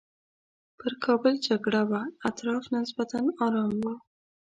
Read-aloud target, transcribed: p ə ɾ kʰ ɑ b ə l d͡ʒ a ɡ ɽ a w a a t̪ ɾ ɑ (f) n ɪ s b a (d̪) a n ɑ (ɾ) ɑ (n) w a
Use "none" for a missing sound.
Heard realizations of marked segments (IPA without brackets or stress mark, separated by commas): f, t̪, ɾ, m